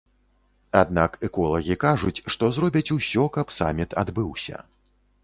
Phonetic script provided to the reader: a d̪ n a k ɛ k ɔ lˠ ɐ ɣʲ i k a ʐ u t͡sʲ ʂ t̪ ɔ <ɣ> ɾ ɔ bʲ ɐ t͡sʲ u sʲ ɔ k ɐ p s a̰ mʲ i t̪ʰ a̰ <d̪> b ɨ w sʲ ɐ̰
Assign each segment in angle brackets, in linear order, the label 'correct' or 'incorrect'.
incorrect, correct

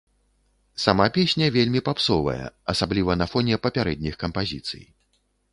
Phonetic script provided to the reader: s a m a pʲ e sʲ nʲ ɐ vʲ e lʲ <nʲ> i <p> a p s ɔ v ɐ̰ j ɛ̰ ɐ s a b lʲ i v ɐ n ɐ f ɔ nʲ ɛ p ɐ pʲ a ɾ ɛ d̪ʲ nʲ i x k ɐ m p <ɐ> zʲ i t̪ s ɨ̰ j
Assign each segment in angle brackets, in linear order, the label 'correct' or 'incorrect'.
incorrect, correct, incorrect

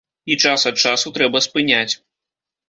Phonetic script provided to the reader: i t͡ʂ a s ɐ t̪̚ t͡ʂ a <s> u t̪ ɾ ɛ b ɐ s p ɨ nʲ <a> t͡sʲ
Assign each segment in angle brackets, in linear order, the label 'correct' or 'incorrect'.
correct, correct

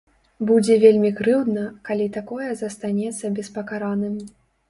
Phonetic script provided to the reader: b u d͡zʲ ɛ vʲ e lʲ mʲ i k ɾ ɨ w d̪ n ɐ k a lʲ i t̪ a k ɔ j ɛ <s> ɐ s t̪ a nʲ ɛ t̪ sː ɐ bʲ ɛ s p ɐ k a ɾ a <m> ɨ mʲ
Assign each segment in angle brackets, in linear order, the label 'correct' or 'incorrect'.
incorrect, incorrect

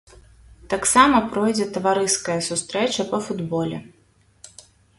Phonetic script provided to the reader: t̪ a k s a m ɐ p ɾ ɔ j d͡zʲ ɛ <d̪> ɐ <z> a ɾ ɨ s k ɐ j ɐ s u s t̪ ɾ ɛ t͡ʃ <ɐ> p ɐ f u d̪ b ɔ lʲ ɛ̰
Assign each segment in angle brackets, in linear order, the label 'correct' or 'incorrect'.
incorrect, incorrect, correct

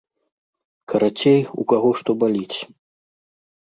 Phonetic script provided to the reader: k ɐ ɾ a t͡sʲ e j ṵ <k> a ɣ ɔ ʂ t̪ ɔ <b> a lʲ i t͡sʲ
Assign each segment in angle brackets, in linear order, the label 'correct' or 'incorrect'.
correct, correct

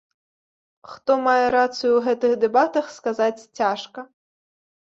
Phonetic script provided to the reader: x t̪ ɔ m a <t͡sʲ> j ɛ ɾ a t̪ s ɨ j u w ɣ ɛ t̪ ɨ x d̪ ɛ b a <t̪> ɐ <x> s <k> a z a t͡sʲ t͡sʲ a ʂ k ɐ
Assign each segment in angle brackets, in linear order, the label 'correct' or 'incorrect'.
incorrect, correct, correct, correct

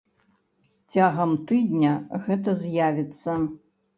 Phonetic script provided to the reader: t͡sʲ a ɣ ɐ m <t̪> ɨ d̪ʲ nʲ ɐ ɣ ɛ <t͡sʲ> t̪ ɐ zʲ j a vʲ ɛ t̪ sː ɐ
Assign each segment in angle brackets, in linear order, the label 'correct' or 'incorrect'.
correct, incorrect

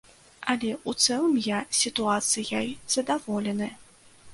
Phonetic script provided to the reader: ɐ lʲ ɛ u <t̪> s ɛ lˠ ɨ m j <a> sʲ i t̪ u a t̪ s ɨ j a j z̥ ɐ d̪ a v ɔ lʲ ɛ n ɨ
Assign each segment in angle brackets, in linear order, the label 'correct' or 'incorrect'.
correct, correct

